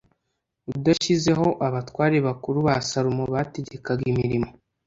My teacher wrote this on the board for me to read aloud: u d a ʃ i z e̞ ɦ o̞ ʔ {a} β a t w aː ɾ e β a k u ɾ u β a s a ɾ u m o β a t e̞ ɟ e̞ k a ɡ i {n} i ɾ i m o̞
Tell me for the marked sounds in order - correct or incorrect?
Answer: correct, incorrect

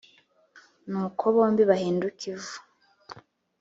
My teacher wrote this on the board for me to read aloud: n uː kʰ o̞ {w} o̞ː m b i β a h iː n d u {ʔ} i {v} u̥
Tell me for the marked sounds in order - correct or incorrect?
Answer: incorrect, incorrect, correct

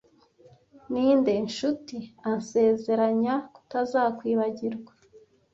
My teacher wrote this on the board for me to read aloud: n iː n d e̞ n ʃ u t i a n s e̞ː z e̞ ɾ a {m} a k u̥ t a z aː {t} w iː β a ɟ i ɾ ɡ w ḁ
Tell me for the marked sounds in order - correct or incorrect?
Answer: incorrect, incorrect

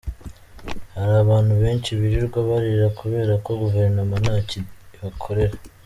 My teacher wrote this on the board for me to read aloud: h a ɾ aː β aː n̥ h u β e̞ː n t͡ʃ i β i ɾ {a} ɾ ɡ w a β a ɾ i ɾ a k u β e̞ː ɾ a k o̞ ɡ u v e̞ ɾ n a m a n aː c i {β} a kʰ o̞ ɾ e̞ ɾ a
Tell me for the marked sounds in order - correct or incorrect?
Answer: incorrect, correct

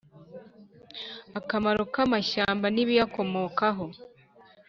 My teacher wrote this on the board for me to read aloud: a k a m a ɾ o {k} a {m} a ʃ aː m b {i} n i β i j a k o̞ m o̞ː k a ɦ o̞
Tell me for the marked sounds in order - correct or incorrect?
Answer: correct, correct, incorrect

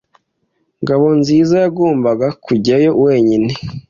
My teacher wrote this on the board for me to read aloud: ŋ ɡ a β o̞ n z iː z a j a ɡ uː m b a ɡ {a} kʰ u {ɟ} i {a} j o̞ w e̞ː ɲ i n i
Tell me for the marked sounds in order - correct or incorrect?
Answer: correct, correct, correct

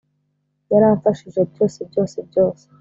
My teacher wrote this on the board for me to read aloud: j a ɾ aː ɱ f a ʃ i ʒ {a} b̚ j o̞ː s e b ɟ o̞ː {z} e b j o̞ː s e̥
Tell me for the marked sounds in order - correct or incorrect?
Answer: incorrect, incorrect

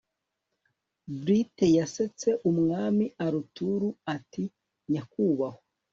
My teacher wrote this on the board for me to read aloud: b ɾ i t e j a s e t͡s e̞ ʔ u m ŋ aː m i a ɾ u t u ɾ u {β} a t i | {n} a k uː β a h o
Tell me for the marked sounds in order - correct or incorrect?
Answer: incorrect, incorrect

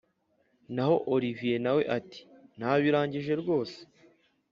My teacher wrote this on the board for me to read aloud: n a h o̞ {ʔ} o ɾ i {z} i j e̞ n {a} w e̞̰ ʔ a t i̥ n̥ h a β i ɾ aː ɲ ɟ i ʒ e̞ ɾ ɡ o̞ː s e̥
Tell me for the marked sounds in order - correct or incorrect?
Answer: correct, incorrect, correct

